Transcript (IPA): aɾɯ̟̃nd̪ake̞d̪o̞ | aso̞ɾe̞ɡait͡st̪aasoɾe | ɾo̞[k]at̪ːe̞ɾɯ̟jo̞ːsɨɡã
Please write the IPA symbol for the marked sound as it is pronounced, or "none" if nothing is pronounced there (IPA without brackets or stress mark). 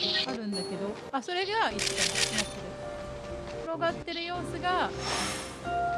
ɡ